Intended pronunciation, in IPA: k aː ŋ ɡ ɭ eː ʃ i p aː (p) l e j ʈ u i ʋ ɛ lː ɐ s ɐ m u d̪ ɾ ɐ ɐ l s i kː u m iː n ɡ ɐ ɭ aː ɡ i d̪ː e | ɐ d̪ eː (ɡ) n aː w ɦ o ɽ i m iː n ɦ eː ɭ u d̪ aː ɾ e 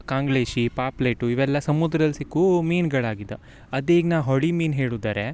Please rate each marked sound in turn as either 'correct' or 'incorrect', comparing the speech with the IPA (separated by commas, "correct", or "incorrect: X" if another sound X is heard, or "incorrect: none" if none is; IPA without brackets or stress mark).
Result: correct, correct